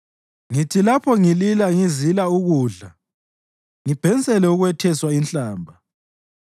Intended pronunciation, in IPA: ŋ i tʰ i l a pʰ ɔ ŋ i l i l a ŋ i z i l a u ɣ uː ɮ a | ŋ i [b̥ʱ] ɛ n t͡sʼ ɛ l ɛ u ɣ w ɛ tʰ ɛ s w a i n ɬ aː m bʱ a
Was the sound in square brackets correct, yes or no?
yes